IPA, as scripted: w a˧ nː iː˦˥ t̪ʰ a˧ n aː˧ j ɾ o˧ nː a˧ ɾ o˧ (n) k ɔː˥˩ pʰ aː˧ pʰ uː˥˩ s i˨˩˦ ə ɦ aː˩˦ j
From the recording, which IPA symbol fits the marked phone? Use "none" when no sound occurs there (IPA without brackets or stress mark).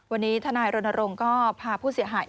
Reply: ŋ